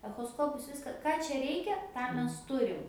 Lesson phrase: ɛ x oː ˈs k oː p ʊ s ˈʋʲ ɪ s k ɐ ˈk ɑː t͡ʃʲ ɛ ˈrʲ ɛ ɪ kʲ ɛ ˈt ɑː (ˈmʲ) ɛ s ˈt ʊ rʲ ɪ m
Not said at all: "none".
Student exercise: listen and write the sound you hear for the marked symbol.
mʲ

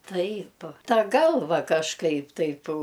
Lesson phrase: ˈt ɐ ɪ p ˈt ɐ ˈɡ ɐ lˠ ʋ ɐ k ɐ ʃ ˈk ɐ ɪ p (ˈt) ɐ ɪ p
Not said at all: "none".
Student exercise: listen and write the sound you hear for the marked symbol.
t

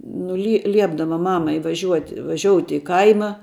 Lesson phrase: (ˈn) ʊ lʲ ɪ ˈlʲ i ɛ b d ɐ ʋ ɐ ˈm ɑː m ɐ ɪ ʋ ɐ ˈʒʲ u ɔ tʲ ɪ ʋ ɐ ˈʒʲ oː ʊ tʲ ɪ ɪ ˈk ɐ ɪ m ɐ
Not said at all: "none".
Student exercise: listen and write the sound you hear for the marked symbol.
n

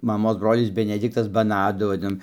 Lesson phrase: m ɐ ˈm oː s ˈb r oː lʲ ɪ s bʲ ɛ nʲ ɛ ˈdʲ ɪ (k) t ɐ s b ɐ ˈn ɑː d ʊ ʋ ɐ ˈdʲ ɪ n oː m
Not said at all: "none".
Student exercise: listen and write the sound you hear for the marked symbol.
k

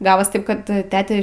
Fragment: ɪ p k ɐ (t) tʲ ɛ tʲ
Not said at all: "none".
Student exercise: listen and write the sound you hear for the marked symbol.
t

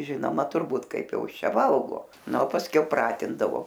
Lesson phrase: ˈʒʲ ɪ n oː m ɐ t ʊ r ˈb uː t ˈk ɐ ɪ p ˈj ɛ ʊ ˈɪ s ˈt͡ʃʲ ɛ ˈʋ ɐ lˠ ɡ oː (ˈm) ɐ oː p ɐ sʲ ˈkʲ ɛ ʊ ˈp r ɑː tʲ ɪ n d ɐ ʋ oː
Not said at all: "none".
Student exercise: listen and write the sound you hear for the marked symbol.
n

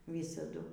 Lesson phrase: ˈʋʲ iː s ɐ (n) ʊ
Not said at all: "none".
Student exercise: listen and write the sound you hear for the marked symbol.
d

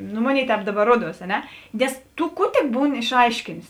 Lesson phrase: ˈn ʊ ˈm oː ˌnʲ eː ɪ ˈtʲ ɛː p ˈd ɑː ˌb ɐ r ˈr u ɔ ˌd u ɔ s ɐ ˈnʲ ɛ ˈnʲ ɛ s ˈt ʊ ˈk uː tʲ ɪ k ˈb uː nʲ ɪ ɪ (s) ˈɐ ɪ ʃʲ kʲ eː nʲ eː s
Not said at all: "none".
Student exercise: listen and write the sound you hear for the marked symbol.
ʃ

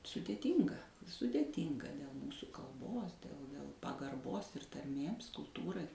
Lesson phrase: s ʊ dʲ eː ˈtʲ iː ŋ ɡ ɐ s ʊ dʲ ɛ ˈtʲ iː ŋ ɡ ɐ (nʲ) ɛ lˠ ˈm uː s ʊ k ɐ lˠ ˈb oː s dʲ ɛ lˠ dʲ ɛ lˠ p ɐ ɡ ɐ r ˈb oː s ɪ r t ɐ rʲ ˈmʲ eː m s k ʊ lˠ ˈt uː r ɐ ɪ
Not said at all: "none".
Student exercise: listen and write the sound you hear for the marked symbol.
dʲ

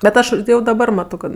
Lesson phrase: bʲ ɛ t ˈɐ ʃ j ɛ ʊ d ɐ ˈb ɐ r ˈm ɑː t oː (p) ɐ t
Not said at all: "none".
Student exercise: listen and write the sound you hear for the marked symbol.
k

